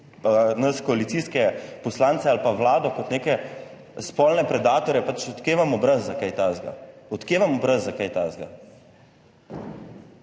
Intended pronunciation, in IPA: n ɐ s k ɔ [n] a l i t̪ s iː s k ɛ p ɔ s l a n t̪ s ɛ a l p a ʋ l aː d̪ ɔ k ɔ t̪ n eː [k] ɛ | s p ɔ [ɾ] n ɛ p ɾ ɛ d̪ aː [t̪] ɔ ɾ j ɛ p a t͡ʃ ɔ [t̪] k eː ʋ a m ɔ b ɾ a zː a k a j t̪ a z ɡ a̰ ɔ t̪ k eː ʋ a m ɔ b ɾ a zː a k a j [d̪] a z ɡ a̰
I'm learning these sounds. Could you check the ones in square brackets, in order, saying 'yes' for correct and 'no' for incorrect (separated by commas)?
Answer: no, yes, no, yes, yes, no